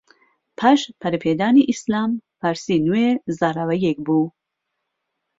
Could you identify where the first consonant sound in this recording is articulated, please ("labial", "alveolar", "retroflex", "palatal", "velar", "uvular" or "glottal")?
labial